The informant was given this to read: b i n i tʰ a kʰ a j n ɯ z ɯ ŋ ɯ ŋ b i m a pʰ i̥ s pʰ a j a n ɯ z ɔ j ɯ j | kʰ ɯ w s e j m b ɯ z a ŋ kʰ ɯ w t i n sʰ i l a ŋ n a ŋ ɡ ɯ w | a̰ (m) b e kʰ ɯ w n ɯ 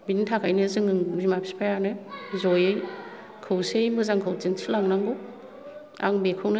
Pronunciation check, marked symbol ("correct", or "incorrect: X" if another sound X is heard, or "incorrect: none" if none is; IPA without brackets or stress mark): incorrect: ŋ